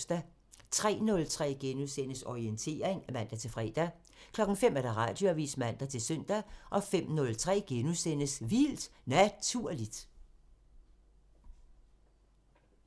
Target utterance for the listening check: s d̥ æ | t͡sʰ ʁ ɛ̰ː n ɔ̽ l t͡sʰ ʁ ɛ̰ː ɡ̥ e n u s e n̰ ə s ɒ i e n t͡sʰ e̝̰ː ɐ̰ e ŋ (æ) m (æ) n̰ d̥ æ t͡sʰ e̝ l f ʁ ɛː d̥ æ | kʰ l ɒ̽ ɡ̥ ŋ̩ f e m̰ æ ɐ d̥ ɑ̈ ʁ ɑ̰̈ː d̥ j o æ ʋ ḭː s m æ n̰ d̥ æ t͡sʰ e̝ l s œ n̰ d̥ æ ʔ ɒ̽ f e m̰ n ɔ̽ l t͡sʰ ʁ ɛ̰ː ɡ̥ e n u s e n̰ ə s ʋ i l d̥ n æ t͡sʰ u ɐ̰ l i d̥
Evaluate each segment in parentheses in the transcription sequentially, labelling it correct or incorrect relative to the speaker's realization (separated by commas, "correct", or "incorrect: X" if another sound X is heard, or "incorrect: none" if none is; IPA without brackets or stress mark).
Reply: correct, correct